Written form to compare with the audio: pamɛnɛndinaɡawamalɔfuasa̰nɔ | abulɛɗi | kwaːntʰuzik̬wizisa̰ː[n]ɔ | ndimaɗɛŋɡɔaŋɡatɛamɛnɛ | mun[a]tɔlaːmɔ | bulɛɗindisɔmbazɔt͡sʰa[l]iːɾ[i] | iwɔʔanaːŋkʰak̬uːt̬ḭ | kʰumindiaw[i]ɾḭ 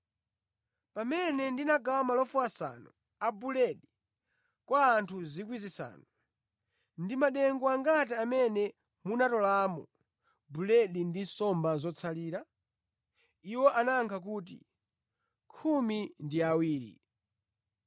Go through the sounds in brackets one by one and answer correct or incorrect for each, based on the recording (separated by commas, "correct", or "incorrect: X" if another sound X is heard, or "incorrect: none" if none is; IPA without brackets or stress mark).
correct, correct, correct, incorrect: a, incorrect: iː